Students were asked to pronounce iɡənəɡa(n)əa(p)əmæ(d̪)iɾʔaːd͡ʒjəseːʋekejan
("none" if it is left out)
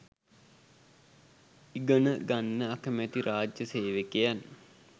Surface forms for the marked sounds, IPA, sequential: nː, k, t̪

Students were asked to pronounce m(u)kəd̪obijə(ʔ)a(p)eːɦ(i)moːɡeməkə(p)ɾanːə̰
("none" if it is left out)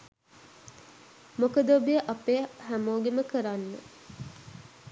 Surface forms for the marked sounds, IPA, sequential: o, ʔ, p, æ, none

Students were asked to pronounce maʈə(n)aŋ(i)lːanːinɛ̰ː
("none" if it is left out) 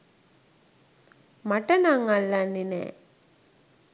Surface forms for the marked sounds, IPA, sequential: n, a

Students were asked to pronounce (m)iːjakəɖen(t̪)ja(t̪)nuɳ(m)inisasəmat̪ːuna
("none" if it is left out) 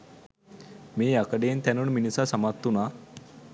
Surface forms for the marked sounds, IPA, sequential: m, t̪, none, m

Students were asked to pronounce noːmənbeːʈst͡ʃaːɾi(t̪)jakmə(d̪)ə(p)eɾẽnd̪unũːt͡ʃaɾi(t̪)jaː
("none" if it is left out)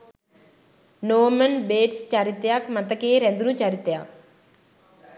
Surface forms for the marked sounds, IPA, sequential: t̪, t̪, k, t̪

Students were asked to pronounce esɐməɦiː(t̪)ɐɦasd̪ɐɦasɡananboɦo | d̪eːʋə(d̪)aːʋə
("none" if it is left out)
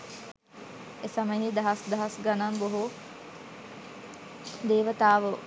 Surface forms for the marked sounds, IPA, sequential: d̪, t̪

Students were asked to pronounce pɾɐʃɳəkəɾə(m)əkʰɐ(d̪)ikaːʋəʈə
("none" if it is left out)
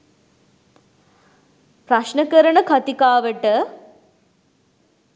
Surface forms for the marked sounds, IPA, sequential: ɳ, t̪

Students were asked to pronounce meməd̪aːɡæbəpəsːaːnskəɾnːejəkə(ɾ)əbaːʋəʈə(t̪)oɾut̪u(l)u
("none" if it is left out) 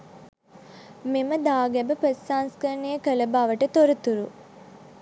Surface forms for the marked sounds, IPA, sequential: l, t̪, ɾ

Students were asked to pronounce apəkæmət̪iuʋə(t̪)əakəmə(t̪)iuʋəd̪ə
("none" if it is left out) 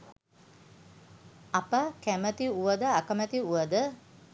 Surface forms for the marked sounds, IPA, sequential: d̪, t̪

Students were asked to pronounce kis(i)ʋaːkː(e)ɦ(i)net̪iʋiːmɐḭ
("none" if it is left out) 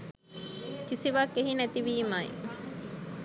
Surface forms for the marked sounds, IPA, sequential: i, e, i

